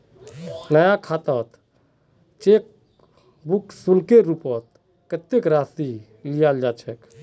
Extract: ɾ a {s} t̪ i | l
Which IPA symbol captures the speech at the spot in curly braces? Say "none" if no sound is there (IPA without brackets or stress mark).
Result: s